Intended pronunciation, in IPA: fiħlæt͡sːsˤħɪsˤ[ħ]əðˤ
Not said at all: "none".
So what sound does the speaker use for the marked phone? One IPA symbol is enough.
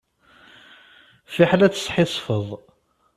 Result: f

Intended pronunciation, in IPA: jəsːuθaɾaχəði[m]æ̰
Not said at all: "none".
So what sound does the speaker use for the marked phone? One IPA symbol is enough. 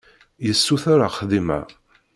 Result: m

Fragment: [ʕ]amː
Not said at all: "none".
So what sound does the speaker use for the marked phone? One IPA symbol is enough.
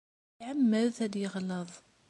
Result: ʕ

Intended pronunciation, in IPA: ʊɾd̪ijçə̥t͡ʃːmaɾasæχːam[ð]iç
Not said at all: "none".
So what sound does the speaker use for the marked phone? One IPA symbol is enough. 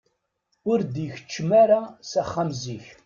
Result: z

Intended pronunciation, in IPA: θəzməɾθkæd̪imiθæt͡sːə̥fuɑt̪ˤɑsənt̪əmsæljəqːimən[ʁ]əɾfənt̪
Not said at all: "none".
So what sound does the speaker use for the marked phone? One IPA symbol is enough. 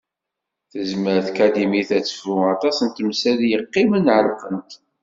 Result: ʕ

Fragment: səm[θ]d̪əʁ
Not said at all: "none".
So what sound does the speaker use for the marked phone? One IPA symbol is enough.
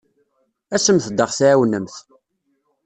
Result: θ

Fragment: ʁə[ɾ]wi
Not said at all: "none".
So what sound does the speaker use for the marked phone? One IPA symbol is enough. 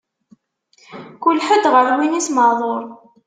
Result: ɾ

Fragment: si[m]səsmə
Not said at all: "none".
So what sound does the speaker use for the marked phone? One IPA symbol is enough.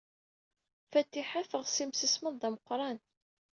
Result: m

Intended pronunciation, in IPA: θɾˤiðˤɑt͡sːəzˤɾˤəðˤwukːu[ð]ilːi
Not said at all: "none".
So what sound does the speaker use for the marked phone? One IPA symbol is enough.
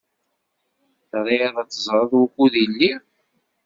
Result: ð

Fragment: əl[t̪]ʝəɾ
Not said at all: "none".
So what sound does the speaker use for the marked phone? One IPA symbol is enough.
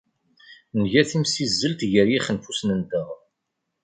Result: t̪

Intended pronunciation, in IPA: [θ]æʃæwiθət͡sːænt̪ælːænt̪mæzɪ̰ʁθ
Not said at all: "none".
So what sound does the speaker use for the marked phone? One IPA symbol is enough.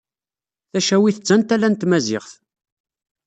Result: θ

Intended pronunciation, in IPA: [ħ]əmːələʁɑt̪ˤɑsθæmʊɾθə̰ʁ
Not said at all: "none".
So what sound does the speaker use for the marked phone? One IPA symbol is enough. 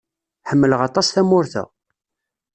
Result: ħ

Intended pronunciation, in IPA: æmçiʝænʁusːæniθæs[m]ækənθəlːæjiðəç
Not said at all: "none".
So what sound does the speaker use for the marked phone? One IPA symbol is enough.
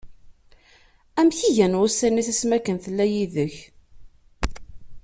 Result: m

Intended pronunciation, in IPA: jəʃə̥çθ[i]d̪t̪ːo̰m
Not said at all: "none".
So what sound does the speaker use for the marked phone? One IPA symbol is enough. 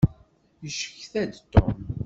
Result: æ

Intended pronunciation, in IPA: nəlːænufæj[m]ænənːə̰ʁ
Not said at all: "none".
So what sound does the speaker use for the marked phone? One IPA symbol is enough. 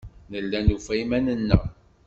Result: m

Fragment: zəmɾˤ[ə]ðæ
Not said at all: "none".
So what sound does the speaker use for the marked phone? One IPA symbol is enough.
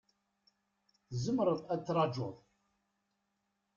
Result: ə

